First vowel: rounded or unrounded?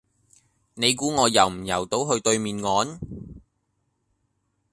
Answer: unrounded